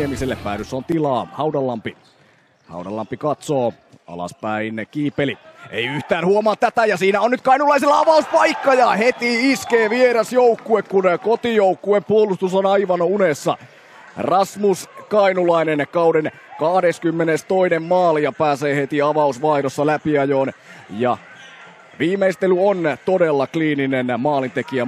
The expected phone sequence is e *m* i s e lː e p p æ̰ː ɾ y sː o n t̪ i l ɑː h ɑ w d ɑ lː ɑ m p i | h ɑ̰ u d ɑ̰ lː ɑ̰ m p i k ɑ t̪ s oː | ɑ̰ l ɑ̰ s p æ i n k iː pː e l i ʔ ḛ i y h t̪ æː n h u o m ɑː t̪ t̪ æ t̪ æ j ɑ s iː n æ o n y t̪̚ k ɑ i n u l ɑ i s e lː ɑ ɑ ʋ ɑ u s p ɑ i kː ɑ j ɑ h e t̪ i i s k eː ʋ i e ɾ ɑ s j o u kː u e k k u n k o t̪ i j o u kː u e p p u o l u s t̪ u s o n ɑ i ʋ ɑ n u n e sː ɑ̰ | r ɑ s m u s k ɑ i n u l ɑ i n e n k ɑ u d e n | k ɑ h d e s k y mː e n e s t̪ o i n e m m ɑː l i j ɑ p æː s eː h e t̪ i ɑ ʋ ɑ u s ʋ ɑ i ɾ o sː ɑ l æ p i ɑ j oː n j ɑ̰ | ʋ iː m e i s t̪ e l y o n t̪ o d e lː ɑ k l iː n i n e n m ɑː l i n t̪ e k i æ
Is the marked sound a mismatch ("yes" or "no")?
no